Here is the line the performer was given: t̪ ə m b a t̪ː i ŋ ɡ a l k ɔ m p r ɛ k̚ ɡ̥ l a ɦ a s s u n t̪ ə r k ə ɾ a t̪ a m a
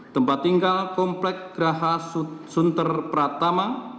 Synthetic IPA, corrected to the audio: t̪ ə m p a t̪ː i ŋ ɡ a l k ɔ m p l ɛ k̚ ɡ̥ ɾ a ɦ a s s u n t̪ ə r p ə ɾ a t̪ a m a